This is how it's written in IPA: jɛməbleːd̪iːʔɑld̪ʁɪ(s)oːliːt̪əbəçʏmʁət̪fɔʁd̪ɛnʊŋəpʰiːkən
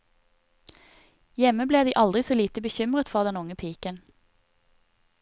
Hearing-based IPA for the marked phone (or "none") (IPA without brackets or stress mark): s